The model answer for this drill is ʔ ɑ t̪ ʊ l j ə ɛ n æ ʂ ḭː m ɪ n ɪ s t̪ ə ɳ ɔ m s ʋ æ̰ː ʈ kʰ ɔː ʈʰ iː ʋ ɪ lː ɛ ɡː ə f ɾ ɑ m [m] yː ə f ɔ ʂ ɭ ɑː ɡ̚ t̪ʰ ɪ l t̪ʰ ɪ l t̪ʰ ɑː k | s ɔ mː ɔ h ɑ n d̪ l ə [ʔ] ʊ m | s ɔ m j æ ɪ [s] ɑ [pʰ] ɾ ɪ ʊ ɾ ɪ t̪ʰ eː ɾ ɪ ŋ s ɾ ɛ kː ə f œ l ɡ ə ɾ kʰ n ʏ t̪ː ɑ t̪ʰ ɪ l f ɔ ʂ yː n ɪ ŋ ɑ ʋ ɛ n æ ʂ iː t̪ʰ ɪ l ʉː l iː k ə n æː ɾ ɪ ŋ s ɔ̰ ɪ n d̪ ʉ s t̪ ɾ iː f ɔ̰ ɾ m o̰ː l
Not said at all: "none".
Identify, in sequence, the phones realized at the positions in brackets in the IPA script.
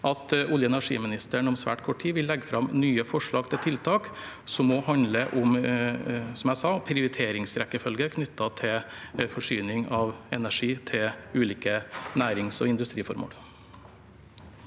n, ʔ, s, pʰ

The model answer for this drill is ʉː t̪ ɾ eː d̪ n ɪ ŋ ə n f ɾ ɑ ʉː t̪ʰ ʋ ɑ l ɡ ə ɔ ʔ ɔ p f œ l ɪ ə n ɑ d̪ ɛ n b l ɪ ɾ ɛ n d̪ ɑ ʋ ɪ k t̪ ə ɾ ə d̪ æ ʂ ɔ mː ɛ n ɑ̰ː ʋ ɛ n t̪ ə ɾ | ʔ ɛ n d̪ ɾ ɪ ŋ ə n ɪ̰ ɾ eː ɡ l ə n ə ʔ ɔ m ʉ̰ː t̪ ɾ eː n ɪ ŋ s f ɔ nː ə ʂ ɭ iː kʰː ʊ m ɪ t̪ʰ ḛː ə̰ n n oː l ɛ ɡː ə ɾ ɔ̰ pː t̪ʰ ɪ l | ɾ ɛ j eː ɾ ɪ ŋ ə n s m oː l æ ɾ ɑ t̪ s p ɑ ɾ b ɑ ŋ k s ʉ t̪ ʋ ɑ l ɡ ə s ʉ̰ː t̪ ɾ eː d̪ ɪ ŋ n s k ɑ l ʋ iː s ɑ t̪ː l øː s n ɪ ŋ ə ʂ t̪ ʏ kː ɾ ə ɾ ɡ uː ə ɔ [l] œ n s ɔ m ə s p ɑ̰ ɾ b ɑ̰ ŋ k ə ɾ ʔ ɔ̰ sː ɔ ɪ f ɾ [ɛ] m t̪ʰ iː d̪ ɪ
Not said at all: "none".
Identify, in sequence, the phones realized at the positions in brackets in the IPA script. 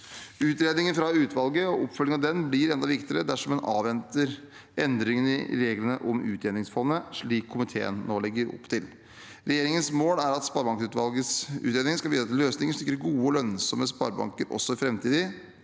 l, ɛ

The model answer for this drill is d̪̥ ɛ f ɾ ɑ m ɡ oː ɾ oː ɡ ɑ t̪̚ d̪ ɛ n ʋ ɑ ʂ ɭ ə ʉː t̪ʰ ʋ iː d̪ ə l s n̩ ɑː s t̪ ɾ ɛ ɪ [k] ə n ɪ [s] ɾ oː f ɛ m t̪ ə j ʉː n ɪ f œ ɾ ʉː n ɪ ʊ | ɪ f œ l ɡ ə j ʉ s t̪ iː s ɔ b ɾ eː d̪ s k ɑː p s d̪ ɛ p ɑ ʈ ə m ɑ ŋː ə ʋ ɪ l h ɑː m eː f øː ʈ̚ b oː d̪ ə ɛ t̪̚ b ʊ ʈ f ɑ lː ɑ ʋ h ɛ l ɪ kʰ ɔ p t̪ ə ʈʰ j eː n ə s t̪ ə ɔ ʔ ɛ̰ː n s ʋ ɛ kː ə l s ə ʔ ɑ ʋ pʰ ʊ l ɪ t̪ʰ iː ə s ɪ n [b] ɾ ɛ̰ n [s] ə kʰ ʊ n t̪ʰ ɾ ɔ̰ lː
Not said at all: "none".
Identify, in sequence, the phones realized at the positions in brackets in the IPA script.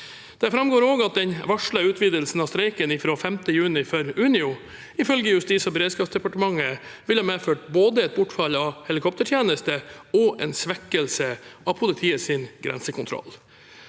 k, f, ɡ, s

